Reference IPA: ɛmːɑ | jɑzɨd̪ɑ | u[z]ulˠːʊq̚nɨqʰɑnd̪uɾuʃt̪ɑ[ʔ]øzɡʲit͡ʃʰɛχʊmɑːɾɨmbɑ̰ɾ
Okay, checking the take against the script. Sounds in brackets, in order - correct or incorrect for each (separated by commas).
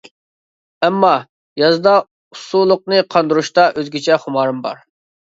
incorrect, correct